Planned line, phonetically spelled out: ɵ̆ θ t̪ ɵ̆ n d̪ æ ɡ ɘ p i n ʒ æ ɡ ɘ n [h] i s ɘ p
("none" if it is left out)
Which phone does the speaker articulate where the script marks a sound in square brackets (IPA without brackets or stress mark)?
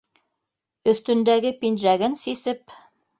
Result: s